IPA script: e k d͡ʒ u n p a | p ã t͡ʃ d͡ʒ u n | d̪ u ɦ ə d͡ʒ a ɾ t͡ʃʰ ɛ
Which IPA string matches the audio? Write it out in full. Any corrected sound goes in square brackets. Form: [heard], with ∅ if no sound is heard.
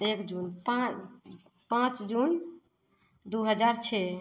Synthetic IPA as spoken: e k d͡ʒ u n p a | p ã t͡ʃ d͡ʒ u n | d̪ u ɦ ə d͡ʒ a ɾ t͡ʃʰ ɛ